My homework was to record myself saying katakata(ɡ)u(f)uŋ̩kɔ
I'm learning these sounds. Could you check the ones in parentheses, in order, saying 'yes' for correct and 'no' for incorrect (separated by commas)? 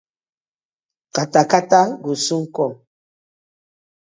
yes, no